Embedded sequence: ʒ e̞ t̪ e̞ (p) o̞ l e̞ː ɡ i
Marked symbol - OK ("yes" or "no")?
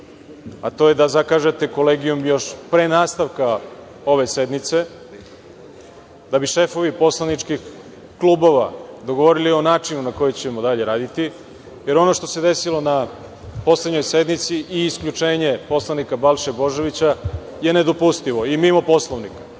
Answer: no